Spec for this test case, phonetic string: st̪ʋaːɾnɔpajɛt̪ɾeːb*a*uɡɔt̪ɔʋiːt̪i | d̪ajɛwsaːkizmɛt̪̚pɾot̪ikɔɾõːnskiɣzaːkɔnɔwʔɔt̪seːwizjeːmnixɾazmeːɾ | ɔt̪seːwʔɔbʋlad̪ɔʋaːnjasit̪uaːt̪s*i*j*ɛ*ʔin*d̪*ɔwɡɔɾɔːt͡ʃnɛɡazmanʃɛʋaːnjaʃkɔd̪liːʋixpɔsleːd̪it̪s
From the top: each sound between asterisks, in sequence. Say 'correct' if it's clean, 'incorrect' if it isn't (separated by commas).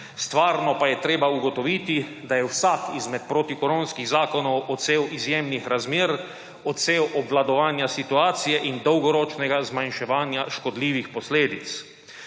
correct, correct, correct, correct